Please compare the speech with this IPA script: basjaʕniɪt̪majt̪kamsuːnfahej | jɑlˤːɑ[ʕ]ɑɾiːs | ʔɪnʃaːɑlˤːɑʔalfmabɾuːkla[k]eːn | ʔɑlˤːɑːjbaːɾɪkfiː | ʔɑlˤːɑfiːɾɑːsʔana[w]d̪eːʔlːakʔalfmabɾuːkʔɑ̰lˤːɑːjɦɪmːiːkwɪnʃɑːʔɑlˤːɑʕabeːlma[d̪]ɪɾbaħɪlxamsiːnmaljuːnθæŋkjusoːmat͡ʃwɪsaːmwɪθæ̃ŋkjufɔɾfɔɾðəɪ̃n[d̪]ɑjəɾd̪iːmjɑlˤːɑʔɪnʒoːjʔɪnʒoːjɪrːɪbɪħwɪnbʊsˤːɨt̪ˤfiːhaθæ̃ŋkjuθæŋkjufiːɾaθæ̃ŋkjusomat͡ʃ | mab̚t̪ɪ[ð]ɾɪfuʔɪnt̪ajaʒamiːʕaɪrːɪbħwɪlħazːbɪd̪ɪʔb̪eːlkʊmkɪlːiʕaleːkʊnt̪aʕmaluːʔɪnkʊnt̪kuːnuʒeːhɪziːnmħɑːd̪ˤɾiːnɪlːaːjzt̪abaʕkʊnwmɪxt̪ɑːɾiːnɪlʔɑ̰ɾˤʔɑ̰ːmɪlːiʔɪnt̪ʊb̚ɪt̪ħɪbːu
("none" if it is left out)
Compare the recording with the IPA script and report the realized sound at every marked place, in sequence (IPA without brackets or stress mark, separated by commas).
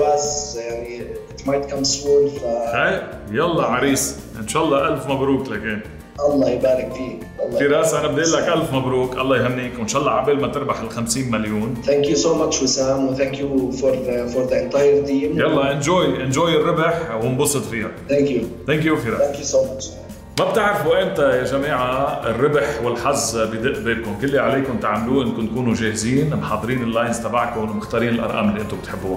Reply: ʕ, k, b, t̪, t̪, ʕ